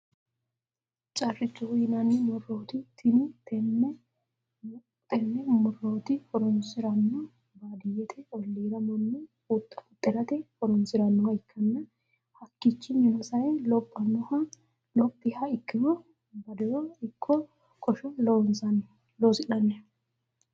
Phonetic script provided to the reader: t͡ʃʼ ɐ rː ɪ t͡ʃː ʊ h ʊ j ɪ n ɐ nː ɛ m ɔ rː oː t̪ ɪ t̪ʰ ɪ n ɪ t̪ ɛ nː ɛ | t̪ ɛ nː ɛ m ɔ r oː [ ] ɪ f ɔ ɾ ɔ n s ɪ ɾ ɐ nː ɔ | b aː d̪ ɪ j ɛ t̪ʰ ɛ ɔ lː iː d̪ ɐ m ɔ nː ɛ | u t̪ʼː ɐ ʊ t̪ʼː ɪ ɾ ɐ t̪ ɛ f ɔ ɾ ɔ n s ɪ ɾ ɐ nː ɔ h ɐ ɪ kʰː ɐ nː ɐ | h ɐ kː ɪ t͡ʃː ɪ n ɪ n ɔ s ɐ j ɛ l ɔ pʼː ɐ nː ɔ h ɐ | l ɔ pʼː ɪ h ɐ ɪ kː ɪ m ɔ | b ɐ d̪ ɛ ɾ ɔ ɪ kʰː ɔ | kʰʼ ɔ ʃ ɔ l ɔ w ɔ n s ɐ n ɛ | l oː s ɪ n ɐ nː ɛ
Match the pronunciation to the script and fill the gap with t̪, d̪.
t̪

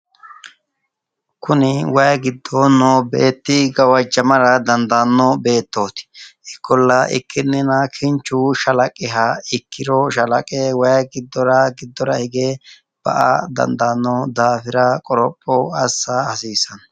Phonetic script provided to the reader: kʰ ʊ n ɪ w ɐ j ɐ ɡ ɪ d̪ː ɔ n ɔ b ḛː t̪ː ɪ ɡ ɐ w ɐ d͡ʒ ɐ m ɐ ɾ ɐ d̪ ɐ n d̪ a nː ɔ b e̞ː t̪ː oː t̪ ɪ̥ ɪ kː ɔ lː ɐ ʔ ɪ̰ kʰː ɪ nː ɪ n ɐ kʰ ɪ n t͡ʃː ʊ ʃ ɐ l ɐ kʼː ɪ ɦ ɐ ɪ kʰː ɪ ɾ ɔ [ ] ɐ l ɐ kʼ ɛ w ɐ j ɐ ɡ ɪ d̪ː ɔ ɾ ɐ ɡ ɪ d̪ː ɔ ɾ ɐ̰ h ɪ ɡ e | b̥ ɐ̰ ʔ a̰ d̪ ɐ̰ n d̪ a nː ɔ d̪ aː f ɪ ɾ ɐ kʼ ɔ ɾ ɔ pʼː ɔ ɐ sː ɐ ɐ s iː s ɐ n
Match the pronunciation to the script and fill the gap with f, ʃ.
ʃ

